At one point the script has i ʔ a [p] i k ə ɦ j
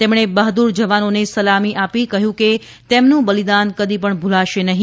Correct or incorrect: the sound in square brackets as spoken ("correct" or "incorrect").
correct